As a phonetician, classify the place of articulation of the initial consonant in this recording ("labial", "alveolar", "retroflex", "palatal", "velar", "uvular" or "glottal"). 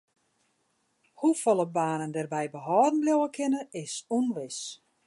glottal